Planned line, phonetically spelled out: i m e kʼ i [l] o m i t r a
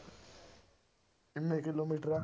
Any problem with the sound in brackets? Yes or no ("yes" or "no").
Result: no